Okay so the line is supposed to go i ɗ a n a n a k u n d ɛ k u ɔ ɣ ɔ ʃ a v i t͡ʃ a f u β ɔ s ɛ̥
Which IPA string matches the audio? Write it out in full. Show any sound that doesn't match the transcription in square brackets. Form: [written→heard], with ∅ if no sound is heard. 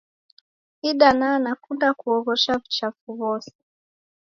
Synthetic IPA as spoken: i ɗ a n a n a k u n d [ɛ→a] k u ɔ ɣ ɔ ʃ a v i t͡ʃ a f u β ɔ s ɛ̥